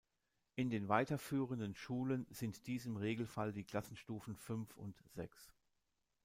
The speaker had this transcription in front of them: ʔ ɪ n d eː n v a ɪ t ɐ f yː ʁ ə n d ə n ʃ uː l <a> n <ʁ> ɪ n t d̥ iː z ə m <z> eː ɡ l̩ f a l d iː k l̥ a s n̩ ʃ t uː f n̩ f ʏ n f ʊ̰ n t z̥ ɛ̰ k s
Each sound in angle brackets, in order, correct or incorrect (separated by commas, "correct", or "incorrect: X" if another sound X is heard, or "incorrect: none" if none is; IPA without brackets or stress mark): incorrect: ə, incorrect: z, incorrect: ʁ